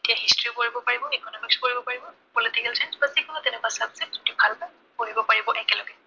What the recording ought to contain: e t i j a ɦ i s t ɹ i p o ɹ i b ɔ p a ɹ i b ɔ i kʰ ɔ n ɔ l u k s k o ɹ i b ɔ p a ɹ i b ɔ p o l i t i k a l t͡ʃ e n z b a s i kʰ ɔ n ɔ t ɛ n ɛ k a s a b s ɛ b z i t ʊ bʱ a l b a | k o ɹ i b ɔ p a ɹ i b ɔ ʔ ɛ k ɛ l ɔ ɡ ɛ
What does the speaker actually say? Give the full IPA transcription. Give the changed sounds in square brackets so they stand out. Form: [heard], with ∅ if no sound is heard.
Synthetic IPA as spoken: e t i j a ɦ i s t ɹ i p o ɹ i b ɔ p a ɹ i b ɔ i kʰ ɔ n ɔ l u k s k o ɹ i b ɔ p a ɹ i b ɔ p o l i t i k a l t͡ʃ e n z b a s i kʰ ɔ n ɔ t ɛ n ɛ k a s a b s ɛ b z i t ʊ bʱ a l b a | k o ɹ i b ɔ p a ɹ i b ɔ ʔ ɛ k ɛ l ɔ ɡ ɛ